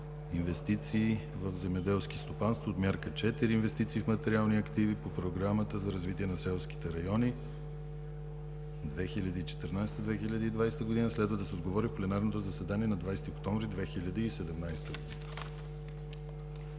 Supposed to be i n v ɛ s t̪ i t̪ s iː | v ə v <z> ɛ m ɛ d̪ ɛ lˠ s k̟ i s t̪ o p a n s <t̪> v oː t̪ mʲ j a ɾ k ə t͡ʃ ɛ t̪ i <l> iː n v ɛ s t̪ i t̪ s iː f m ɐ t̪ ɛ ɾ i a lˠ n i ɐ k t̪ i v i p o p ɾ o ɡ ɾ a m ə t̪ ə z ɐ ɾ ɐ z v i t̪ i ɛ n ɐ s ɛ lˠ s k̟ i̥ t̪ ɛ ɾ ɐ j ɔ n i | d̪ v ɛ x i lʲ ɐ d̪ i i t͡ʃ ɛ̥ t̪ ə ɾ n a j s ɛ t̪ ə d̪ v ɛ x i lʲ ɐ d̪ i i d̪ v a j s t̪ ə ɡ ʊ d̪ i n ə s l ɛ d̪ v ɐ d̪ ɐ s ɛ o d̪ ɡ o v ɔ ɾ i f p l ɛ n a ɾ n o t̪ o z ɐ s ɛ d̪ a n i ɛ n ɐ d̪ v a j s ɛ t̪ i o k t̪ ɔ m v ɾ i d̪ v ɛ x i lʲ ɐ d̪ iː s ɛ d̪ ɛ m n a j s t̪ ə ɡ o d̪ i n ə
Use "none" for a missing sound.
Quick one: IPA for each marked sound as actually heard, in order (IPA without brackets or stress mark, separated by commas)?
z, t̪, ɾ